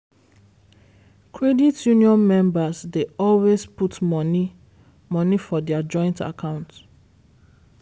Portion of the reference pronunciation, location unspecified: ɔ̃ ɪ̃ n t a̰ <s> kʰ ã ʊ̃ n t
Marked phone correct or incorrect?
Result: incorrect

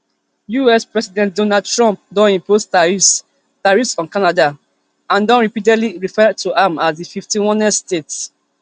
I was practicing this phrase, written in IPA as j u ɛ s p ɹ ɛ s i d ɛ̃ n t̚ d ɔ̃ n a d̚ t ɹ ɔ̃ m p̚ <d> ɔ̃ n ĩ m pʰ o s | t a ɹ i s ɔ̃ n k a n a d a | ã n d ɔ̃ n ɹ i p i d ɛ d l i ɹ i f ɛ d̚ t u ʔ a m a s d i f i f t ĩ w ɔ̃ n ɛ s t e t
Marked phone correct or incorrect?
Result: correct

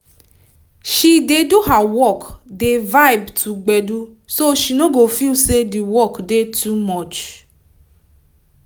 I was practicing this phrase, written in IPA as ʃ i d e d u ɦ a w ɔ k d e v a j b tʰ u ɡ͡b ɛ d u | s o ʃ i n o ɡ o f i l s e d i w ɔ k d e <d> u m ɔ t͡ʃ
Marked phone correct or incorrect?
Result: incorrect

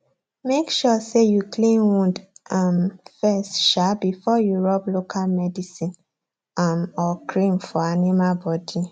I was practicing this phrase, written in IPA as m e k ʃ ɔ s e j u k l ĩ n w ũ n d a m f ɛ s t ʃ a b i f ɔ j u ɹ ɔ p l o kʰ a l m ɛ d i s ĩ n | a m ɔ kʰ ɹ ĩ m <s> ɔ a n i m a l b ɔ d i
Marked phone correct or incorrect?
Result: incorrect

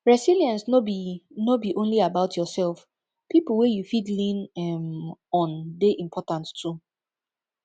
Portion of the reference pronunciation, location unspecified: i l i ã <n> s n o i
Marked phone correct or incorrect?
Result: correct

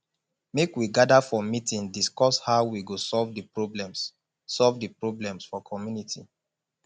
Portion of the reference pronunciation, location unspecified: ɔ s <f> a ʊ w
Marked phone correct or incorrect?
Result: incorrect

